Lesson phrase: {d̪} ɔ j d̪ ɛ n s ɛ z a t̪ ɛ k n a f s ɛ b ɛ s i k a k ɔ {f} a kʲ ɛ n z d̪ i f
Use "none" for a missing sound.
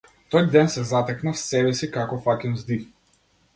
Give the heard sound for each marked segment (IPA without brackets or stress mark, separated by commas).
t̪, f